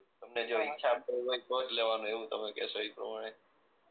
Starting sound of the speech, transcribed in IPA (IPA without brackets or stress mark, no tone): t̪